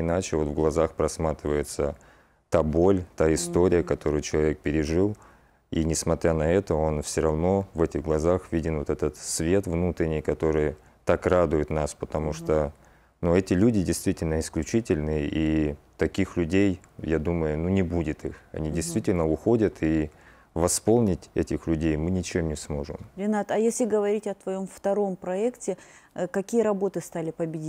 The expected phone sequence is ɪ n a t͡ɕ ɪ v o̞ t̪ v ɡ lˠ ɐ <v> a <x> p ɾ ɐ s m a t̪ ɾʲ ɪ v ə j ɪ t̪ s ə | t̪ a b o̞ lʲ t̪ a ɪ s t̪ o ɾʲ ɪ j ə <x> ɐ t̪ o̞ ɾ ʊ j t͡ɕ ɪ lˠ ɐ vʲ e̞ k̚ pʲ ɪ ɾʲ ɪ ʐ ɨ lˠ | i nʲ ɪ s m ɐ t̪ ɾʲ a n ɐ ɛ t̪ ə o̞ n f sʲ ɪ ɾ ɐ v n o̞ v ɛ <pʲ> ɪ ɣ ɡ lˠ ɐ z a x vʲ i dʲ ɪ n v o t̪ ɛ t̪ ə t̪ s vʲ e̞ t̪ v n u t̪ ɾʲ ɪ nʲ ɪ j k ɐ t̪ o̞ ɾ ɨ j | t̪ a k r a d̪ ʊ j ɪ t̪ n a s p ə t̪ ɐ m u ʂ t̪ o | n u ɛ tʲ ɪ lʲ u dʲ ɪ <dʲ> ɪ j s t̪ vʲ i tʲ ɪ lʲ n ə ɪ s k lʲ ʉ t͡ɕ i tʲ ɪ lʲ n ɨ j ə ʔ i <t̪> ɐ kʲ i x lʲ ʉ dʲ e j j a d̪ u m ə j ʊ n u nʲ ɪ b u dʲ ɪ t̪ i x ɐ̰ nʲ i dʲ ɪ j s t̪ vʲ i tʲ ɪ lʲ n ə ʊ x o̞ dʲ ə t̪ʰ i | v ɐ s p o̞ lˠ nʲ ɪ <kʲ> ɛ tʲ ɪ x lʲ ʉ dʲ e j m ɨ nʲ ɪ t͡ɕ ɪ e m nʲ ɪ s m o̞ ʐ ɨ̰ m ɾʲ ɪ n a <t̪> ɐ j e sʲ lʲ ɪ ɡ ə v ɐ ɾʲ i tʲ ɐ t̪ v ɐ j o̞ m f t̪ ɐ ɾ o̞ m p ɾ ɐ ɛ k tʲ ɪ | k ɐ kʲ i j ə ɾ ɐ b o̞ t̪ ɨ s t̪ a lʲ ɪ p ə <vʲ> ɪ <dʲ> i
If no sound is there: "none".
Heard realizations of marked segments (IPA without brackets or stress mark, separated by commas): z, x, k, tʲ, dʲ, t̪, tʲ, t̪, bʲ, dʲ